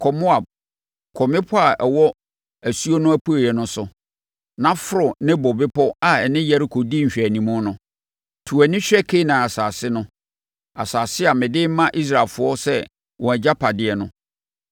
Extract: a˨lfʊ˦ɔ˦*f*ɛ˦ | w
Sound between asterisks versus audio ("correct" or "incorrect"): incorrect